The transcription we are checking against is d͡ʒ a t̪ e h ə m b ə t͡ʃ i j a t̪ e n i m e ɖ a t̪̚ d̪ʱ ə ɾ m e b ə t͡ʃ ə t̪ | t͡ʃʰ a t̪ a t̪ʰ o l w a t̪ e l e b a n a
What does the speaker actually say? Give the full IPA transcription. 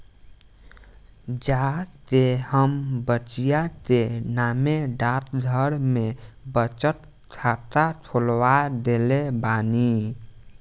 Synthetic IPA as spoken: d͡ʒ a t̪ e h ə m b ə t͡ʃ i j a t̪ e n a m e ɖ a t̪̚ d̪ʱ ə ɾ m e b ə t͡ʃ ə t̪ | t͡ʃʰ a t̪ a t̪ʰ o l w a d̪ e l e b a n i